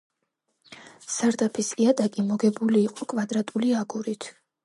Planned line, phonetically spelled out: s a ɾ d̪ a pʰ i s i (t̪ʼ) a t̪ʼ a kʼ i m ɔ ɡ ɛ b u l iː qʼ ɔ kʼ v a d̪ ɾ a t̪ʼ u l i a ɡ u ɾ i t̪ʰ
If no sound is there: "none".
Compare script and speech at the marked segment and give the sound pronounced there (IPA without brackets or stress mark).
none